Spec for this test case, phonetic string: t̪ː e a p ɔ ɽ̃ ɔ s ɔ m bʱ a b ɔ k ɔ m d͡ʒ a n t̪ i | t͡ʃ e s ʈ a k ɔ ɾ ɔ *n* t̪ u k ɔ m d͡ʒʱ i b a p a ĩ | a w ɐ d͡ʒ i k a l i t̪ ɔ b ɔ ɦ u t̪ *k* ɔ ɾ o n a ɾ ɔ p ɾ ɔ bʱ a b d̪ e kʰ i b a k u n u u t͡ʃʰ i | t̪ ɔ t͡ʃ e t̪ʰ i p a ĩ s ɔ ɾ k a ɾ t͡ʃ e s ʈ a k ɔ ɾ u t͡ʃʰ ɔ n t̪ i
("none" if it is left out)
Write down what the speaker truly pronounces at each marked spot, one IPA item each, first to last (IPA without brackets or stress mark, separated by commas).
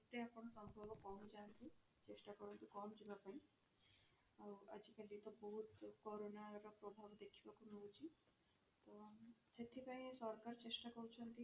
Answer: n, k